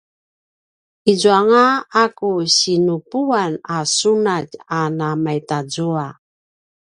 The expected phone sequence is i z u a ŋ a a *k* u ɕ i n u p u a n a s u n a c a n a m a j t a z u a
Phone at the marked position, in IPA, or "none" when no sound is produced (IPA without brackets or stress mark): k